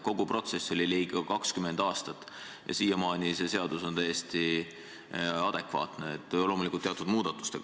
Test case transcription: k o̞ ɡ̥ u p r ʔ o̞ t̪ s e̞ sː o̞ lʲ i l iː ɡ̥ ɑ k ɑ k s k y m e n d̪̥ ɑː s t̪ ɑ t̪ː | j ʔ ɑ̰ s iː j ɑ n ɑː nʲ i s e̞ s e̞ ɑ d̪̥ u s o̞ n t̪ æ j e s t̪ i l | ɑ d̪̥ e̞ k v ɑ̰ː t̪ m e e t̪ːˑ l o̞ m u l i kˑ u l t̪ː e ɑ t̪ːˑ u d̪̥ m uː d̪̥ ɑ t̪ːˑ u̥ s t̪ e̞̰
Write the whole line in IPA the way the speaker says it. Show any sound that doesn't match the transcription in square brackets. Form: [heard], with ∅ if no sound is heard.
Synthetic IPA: k o̞ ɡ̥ u p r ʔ o̞ t̪ s e̞ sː o̞ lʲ i l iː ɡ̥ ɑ k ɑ k s k y m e n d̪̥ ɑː s t̪ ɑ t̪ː | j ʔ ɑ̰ s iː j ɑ [m] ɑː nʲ i s e̞ s e̞ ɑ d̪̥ u s o̞ n t̪ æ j e s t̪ i [∅] | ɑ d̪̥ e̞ k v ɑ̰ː t̪ [n] e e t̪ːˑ l o̞ m u l i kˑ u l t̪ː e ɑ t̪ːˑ u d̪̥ m uː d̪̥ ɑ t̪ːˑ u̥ s t̪ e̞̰